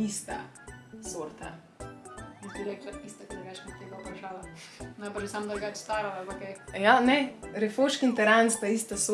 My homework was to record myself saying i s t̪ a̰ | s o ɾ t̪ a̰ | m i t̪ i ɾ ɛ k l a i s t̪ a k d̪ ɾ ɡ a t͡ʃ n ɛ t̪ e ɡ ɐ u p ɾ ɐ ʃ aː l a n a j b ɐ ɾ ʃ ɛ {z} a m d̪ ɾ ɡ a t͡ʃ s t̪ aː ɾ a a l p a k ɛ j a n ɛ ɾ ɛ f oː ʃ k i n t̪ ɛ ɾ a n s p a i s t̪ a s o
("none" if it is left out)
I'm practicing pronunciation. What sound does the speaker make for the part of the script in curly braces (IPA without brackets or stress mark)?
s